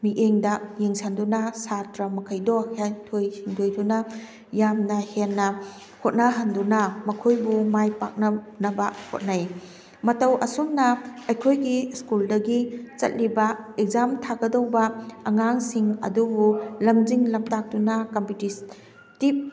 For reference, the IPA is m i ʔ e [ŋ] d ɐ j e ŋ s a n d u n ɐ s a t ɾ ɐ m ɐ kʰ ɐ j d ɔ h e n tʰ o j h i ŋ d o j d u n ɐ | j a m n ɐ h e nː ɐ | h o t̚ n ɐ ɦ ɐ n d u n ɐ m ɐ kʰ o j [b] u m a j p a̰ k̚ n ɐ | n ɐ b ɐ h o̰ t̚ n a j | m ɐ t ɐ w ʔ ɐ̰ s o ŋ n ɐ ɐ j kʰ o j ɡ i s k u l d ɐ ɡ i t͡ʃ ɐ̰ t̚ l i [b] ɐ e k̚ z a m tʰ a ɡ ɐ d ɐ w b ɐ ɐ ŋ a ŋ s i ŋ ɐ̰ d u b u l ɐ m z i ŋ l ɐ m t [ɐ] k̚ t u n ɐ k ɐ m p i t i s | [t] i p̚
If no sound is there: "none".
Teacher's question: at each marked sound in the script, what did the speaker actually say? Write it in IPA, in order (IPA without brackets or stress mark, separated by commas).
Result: ŋ, b, b, a, t